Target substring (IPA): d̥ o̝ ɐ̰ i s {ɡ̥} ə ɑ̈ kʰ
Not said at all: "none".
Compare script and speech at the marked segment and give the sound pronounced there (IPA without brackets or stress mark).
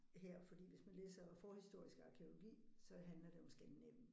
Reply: ɡ̥